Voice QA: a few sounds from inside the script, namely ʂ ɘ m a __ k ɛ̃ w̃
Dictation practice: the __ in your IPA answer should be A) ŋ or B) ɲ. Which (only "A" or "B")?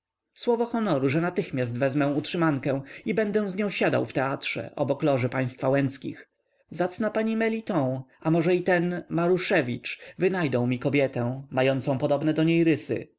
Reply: A